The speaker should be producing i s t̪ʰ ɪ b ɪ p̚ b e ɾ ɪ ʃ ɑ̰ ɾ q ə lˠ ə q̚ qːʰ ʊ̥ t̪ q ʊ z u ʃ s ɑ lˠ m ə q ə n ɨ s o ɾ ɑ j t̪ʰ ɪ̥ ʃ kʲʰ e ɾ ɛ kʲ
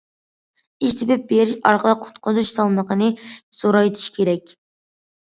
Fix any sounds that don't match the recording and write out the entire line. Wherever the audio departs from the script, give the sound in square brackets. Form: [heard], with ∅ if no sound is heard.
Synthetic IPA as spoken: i [ʃ] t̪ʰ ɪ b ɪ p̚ b e ɾ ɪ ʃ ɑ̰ ɾ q ə lˠ ə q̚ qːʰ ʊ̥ t̪ q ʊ z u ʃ s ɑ lˠ m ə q ə n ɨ s o ɾ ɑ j t̪ʰ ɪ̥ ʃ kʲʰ e ɾ ɛ kʲ